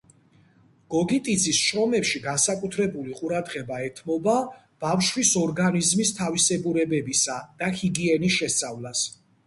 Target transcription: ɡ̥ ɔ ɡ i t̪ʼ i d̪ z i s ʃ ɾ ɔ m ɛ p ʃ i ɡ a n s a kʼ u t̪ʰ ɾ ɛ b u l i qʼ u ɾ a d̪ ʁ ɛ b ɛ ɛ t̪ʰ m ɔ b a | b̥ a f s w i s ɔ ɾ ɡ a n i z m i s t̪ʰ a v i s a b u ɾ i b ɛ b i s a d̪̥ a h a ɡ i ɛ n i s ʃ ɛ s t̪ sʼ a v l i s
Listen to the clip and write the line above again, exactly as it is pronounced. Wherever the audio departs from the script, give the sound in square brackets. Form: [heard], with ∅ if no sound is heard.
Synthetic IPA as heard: ɡ̥ ɔ ɡ i t̪ʼ i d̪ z i s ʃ ɾ ɔ m ɛ p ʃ i ɡ a n s a kʼ u t̪ʰ ɾ ɛ b u l i qʼ u ɾ a d̪ ʁ ɛ b [a] ɛ t̪ʰ m ɔ b a | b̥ a f [ʃ] w i s ɔ ɾ ɡ a n i z m i s t̪ʰ a v i s [ɛ] b u ɾ [ɛ] b ɛ b i s a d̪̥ a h [i] ɡ i ɛ n i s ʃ ɛ s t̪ sʼ a v l [a] s